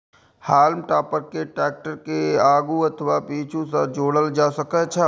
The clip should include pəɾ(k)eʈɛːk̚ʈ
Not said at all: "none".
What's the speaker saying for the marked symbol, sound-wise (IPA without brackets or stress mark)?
k